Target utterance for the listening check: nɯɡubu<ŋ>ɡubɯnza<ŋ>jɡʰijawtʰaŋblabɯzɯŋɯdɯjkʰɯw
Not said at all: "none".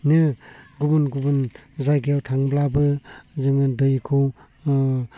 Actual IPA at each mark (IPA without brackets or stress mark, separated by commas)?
n, none